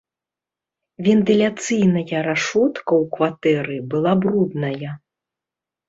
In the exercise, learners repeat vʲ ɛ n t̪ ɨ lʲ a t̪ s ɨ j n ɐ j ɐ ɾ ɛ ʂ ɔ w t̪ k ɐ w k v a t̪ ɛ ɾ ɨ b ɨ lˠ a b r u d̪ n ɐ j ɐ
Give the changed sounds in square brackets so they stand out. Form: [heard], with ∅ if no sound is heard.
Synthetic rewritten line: vʲ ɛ n t̪ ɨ lʲ a t̪ s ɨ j n ɐ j ɐ ɾ [a] ʂ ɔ [∅] t̪ k ɐ w k v a t̪ ɛ ɾ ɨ b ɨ lˠ a b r u d̪ n ɐ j ɐ